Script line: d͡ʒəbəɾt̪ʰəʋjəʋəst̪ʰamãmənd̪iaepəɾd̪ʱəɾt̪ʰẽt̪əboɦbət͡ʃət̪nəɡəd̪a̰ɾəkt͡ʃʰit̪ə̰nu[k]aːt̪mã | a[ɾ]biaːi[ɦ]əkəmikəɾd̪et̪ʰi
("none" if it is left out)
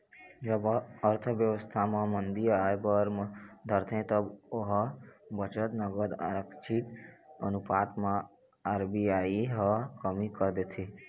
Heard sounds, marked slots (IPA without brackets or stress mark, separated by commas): p, ɾ, ɦ